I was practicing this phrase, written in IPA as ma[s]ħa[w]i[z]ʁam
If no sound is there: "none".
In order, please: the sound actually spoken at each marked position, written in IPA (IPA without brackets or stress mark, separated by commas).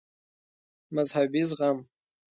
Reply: z, b, z